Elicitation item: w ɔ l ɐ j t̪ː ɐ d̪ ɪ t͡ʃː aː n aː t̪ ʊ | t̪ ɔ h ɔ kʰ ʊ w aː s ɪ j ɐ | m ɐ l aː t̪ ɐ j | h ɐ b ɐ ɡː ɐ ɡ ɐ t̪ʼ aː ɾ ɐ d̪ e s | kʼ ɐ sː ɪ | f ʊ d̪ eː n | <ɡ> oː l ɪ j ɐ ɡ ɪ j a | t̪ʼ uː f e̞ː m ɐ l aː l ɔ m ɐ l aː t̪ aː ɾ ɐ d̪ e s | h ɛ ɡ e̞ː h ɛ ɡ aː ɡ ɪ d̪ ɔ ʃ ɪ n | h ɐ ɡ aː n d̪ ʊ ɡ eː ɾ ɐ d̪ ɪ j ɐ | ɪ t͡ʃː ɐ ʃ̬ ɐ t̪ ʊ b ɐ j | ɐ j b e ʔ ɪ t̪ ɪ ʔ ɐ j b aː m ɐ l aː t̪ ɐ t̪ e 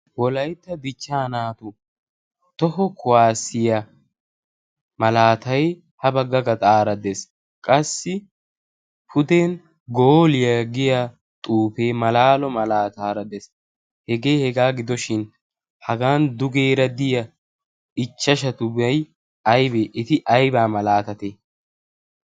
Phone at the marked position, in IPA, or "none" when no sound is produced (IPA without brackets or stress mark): ɡ